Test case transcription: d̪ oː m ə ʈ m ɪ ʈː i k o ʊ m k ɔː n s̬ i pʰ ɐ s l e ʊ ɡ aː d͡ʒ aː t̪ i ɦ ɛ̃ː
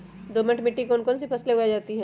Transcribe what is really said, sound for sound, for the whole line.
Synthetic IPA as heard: d̪ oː m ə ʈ m ɪ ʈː i k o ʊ n k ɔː n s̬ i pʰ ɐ s l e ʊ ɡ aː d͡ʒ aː t̪ i ɦ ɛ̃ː